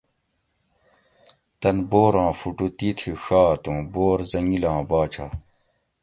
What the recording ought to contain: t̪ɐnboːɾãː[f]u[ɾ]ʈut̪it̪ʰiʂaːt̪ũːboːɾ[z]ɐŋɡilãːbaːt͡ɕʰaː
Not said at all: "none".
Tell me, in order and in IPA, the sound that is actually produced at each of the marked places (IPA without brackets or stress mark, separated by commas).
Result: f, none, z